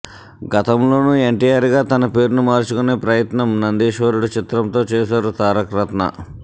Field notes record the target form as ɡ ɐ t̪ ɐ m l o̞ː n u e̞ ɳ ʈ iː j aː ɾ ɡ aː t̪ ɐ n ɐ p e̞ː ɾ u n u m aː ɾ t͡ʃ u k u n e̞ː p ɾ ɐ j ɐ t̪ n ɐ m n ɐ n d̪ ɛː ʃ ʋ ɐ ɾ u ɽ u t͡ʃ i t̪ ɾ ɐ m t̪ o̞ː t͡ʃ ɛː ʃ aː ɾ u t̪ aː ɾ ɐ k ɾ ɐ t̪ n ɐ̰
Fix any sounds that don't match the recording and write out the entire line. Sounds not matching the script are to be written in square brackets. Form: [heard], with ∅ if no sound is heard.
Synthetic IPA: ɡ ɐ t̪ ɐ m l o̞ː n u e̞ ɳ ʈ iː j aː ɾ ɡ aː t̪ ɐ n ɐ p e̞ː ɾ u n u m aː ɾ t͡ʃ u k u n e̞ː p ɾ ɐ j ɐ t̪ n ɐ m n ɐ n d̪ [iː] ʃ ʋ ɐ ɾ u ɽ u t͡ʃ i t̪ ɾ ɐ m t̪ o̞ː t͡ʃ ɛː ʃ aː ɾ u t̪ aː ɾ ɐ k ɾ ɐ t̪ n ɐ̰